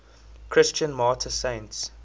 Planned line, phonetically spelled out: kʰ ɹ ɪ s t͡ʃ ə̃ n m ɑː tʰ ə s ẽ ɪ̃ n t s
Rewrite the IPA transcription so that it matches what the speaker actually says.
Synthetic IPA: kʰ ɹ ɪ s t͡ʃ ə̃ n m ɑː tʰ ə s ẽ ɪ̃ n t s